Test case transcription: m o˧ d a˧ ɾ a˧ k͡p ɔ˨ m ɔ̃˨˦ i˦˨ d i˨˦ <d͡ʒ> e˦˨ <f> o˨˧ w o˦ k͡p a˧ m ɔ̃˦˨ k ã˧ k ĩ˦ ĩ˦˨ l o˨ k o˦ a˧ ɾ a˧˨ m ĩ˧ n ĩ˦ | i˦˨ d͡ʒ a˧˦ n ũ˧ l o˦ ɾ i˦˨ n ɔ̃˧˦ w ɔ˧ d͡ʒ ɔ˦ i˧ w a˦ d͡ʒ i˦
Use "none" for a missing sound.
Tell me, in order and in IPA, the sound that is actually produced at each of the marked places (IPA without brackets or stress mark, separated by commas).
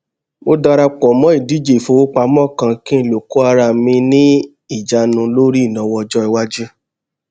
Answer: d͡ʒ, f